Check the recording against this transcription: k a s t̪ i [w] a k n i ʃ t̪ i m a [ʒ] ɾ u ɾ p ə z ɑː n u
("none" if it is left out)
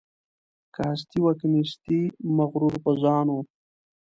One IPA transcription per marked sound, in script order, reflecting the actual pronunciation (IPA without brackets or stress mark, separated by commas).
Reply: w, ɣ